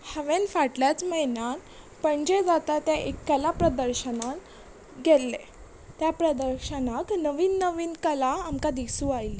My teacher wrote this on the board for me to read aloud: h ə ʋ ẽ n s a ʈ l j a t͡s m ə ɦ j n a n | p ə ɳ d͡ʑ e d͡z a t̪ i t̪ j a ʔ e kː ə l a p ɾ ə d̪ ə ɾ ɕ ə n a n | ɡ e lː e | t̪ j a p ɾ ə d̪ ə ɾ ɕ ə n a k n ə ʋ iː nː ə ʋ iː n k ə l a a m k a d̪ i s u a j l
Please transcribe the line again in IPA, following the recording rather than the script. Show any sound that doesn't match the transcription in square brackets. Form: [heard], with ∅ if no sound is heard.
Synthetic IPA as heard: h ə ʋ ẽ n [f] a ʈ l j a t͡s m ə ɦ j n a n | p ə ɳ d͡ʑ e d͡z a t̪ [a] t̪ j a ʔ e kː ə l a p ɾ ə d̪ ə ɾ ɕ ə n a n | ɡ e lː e | t̪ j a p ɾ ə d̪ ə ɾ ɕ ə n a k n ə ʋ iː nː ə ʋ iː n k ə l a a m k a d̪ i s u a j l